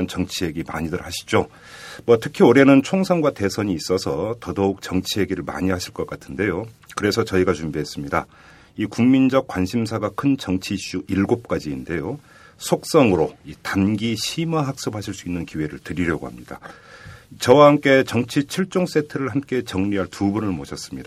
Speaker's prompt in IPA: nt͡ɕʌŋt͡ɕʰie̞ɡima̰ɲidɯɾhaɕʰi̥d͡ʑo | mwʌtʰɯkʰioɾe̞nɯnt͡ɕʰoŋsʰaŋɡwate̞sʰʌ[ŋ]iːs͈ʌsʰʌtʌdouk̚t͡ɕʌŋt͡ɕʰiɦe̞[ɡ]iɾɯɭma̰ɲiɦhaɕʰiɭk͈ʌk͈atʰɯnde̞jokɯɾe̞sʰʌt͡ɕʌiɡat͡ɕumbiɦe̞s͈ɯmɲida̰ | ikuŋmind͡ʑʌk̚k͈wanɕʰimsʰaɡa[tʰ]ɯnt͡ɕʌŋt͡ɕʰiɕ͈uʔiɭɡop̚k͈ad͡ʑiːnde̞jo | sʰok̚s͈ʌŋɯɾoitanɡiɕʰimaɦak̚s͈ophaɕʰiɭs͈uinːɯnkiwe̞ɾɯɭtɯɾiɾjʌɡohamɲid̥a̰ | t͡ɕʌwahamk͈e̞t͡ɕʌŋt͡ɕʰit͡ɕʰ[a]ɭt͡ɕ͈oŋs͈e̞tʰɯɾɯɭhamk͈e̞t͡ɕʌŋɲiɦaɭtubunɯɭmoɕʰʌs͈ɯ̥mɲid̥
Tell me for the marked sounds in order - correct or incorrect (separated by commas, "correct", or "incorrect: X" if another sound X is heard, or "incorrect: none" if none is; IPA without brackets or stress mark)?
incorrect: ɲ, correct, incorrect: kʰ, incorrect: i